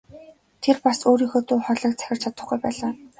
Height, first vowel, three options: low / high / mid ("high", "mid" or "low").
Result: mid